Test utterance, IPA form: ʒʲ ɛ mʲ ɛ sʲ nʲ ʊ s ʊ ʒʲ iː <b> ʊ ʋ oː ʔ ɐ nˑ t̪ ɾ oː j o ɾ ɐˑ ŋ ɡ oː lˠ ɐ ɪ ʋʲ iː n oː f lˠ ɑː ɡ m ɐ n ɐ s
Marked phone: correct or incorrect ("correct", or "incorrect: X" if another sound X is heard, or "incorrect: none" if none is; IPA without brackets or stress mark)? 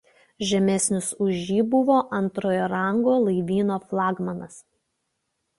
correct